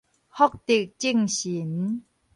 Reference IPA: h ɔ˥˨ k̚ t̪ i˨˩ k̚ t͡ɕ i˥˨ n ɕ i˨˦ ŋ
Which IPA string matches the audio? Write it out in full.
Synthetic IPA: h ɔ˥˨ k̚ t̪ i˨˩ k̚ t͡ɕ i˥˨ ŋ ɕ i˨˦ n